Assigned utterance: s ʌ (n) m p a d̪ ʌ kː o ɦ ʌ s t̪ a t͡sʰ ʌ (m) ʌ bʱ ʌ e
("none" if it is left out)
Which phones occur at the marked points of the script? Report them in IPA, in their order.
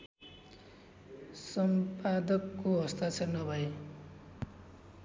none, n

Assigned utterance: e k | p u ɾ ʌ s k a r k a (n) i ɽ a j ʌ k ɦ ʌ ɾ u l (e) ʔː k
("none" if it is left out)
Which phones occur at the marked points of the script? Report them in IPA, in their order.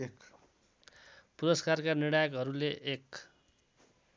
n, e

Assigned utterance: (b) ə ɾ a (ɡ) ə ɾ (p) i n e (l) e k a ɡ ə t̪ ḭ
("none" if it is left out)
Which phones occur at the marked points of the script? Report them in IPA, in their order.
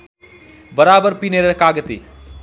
b, b, p, ɾ

